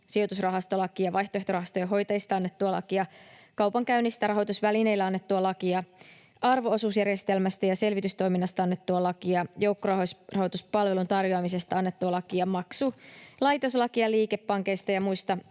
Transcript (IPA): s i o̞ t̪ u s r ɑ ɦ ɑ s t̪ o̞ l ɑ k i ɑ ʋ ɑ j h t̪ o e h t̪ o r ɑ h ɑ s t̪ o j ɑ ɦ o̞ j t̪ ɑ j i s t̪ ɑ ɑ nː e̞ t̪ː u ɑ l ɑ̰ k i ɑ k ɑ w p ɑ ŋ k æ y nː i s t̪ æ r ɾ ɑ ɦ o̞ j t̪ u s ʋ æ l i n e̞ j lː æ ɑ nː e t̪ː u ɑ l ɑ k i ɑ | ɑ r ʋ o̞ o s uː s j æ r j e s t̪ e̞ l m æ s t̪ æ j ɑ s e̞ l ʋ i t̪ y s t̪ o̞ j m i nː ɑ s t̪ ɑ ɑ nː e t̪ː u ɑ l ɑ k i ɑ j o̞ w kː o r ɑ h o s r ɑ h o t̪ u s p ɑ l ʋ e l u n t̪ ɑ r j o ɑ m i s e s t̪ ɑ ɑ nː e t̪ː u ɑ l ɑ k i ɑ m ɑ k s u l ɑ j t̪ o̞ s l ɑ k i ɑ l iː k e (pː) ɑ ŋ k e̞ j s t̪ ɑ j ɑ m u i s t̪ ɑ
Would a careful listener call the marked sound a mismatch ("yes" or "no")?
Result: no